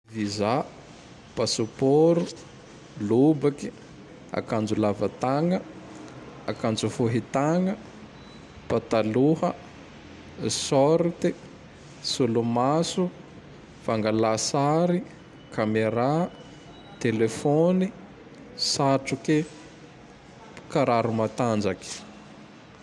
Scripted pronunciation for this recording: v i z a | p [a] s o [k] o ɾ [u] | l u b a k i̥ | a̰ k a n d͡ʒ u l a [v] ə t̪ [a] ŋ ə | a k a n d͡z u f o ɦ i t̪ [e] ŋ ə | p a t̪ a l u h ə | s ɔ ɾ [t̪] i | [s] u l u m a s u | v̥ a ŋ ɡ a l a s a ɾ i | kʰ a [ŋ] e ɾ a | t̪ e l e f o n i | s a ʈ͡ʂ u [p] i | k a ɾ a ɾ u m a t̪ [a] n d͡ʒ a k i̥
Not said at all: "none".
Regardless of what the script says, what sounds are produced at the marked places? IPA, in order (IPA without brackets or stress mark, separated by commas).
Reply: a, p, u, v, a, a, t̪, s, m, k, a